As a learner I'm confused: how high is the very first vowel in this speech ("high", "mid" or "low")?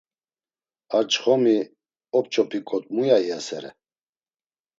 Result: low